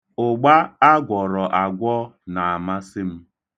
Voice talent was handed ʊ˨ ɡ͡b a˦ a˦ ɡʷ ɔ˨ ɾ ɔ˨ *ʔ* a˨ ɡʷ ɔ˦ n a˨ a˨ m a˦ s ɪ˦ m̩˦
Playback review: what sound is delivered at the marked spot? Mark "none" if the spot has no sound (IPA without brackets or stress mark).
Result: ʔ